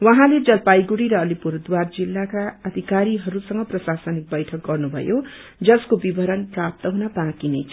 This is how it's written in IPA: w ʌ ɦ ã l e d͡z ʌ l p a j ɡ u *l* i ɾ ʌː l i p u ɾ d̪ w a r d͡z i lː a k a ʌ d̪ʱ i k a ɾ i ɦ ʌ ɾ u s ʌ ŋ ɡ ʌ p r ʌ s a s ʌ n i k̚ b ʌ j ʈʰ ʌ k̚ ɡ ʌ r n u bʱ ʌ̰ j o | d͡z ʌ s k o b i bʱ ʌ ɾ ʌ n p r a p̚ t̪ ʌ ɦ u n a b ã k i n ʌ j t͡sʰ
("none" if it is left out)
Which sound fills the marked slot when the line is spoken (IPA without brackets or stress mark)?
ɽ